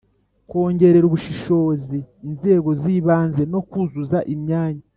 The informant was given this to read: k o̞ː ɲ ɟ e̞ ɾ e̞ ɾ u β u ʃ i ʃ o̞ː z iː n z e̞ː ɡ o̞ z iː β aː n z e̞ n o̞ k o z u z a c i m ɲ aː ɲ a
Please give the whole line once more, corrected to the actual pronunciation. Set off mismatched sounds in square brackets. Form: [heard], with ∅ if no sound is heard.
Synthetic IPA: k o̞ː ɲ ɟ e̞ ɾ e̞ ɾ u β u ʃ i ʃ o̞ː z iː n z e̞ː ɡ o̞ z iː β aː n z e̞ n o̞ k [u] z u z a [ʔ] i m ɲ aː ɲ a